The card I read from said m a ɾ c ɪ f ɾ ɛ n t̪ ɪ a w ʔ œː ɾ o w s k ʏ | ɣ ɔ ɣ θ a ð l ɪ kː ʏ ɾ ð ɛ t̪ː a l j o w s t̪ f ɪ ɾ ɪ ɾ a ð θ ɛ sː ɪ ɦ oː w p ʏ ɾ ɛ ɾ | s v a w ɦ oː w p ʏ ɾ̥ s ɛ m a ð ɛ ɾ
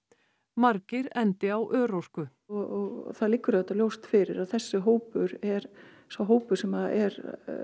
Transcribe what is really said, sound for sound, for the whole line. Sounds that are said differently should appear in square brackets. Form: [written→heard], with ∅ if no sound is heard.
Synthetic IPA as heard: m a ɾ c ɪ [f→∅] ɾ ɛ n t̪ ɪ a w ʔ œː ɾ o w s k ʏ | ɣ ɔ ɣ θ a ð l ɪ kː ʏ ɾ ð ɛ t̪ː a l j o w s t̪ f ɪ ɾ ɪ ɾ a ð θ ɛ sː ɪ ɦ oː w p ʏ ɾ ɛ ɾ | s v a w ɦ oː w p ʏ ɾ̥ s ɛ m a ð ɛ ɾ